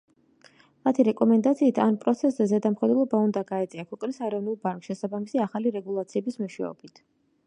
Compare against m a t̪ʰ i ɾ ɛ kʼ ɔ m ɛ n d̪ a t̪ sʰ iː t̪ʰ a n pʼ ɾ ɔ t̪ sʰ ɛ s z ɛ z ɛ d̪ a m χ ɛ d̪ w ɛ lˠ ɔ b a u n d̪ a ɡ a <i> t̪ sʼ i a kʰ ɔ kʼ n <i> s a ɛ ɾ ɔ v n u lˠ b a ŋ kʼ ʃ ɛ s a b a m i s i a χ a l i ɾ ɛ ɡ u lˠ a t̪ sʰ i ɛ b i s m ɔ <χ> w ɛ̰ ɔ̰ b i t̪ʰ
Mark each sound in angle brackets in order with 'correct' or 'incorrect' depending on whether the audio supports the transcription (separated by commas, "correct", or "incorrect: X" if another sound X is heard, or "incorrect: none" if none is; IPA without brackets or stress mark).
incorrect: ɛ, correct, incorrect: ʃ